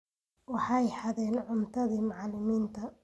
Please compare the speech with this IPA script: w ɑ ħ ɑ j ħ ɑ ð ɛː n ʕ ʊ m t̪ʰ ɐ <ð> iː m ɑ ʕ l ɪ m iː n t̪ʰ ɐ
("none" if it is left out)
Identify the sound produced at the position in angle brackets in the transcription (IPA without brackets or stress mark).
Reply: ð